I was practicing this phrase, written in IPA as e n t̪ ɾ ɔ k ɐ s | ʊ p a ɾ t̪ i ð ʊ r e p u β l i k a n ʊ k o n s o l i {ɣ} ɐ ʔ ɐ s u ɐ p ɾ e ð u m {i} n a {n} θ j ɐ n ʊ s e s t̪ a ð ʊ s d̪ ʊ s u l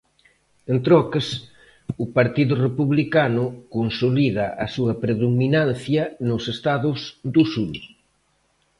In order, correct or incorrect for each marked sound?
incorrect, correct, correct

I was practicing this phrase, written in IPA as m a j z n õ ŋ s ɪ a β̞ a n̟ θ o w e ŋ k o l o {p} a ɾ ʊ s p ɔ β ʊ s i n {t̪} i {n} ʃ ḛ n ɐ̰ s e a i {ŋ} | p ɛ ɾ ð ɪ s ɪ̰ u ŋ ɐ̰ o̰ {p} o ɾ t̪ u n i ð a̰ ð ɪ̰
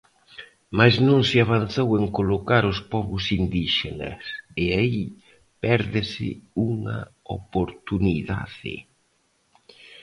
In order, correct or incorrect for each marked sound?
incorrect, incorrect, incorrect, incorrect, correct

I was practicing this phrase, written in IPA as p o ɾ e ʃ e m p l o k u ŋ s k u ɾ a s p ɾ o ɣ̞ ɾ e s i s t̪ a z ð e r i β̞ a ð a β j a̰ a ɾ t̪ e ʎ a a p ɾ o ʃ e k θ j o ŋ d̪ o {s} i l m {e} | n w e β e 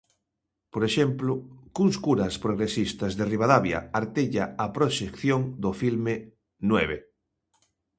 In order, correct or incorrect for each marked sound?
incorrect, correct

